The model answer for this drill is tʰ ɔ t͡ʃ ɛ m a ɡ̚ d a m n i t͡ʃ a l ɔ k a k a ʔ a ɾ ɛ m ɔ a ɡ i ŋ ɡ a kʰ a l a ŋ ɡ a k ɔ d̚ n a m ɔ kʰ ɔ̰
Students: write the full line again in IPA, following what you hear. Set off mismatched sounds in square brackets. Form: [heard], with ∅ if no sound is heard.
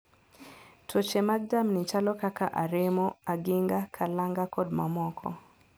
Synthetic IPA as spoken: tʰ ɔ t͡ʃ ɛ m a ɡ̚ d a m n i t͡ʃ a l ɔ k a k a ʔ a ɾ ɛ m ɔ a ɡ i ŋ ɡ a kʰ a l a ŋ ɡ a k ɔ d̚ [m] a m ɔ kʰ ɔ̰